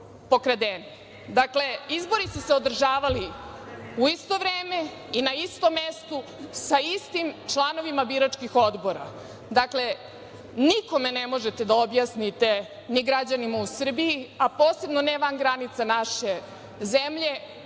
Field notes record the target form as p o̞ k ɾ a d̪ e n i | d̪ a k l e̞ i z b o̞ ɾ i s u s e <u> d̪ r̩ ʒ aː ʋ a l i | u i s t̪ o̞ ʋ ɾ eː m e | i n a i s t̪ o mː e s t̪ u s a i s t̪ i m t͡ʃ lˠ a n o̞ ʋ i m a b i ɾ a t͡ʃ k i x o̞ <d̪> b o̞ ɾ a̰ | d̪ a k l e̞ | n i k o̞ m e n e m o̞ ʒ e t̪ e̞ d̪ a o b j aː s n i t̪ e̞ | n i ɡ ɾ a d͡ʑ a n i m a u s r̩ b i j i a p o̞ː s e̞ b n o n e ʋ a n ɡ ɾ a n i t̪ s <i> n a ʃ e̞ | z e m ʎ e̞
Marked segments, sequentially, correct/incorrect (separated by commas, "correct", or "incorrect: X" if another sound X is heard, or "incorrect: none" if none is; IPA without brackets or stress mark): incorrect: o, correct, incorrect: a